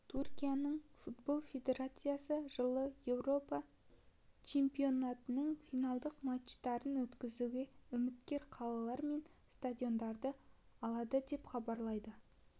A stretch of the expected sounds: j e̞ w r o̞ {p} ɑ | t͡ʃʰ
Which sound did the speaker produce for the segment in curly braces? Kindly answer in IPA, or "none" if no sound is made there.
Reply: p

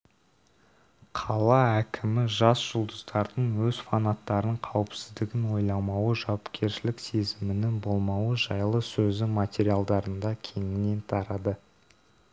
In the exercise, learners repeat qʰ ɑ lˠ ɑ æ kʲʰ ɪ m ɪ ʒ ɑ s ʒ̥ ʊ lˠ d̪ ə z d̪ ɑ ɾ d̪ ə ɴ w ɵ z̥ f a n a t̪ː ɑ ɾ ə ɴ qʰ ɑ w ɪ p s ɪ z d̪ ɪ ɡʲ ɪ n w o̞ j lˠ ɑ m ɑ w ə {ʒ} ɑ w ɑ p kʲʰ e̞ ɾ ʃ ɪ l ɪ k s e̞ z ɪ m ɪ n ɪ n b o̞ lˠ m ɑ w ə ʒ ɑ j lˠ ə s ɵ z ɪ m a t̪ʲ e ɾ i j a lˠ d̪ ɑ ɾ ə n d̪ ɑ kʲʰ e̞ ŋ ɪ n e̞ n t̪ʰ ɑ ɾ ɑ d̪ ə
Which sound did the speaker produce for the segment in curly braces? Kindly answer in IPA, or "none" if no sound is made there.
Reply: ʒ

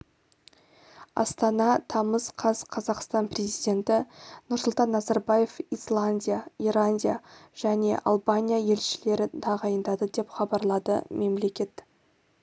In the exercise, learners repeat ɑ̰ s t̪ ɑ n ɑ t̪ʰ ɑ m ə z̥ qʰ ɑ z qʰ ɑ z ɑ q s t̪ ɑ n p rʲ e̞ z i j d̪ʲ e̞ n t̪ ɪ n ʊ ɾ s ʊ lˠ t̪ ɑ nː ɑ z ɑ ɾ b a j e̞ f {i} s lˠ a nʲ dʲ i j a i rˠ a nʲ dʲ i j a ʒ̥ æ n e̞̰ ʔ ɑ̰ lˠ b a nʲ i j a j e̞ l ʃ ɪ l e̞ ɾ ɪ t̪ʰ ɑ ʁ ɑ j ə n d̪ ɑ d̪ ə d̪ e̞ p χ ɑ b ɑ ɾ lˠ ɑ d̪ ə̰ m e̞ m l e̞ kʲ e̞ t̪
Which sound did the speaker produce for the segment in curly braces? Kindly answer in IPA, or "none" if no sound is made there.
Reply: i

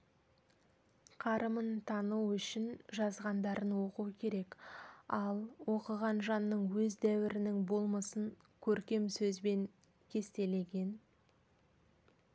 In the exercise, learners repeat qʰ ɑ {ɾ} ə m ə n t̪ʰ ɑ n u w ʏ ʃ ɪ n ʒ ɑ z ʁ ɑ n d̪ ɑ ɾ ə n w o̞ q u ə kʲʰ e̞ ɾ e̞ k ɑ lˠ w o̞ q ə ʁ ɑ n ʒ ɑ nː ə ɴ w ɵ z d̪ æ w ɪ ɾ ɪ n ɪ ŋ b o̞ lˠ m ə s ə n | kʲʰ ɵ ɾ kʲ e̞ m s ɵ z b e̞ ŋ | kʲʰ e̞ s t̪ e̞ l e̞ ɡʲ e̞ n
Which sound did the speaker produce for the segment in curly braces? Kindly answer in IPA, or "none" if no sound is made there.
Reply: ɾ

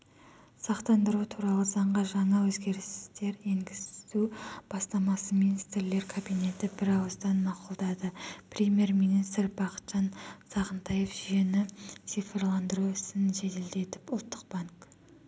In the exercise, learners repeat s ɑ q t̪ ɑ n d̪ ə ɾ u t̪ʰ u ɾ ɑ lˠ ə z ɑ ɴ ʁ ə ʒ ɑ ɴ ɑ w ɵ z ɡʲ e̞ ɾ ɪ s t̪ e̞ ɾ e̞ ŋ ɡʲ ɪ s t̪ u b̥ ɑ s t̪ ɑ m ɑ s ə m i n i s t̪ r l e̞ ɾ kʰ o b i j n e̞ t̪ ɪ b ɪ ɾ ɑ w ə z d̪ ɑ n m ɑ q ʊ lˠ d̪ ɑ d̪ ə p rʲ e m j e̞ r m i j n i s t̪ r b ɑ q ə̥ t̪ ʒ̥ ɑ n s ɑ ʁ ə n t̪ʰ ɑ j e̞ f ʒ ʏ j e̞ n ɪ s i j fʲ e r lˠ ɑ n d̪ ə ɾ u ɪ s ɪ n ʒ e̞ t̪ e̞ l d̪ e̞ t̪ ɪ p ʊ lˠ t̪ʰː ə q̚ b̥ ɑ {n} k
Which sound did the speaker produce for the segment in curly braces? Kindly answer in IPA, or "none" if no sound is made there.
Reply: ŋ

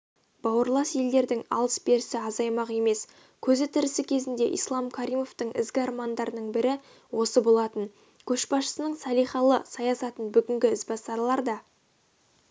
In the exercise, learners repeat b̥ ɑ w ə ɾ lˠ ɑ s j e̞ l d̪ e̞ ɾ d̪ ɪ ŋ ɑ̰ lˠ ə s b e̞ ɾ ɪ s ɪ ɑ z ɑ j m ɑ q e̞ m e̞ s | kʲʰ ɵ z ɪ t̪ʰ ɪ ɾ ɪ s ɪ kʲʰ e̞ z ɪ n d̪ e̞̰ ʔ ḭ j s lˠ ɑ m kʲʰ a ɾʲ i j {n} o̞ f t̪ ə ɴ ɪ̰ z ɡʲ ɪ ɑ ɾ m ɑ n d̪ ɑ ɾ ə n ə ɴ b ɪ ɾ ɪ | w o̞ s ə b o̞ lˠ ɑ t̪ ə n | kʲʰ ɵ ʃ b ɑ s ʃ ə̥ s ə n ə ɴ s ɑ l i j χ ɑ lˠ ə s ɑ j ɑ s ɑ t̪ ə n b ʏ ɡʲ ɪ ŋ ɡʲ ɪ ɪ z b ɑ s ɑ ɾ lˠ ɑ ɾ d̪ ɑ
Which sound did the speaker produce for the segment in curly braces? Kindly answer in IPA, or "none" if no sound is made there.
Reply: m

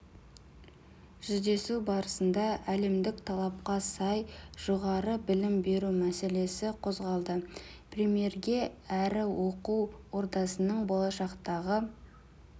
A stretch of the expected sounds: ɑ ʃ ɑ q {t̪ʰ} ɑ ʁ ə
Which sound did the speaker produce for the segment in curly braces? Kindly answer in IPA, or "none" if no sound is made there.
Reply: t̪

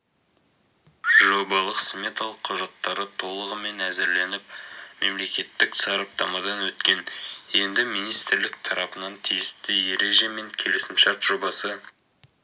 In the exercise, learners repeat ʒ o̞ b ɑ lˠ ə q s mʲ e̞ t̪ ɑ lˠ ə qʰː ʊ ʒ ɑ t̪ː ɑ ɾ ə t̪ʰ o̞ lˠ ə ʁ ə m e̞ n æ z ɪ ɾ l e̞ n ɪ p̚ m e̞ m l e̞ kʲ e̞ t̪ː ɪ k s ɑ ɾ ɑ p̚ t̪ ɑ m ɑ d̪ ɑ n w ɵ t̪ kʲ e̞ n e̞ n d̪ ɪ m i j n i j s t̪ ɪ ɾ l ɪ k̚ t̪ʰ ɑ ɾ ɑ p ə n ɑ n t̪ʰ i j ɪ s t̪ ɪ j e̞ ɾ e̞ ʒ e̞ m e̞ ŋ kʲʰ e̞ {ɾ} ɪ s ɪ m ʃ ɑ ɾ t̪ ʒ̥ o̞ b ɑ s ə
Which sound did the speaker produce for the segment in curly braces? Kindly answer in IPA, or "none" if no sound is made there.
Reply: l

